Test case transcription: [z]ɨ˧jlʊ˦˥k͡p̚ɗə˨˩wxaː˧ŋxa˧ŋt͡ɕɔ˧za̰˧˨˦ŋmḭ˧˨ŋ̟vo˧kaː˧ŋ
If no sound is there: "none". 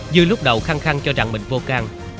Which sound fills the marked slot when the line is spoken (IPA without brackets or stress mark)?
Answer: z